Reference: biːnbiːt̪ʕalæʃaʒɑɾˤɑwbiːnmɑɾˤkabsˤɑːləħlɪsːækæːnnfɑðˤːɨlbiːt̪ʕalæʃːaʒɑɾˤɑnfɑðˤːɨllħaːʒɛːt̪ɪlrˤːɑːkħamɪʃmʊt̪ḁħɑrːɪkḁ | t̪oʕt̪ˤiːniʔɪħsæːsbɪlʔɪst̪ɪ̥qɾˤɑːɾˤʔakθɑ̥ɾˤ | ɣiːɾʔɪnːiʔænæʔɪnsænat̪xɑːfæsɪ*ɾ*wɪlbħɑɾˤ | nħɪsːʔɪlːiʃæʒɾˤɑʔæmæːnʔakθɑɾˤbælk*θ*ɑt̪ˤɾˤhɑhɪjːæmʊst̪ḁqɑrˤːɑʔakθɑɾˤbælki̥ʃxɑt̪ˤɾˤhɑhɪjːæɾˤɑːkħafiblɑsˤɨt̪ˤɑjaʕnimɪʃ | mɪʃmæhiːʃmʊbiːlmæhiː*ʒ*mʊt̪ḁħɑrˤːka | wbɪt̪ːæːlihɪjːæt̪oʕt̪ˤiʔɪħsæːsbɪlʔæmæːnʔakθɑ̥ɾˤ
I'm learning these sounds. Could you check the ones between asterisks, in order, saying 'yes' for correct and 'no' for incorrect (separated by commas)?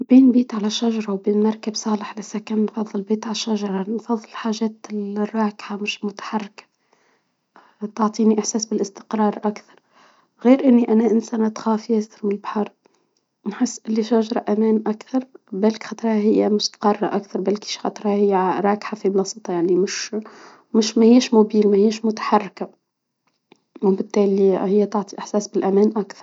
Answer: yes, no, no